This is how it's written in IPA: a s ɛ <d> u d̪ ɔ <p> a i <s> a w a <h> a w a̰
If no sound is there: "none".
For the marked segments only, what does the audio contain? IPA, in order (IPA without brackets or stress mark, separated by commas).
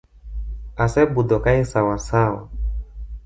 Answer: b, k, s, s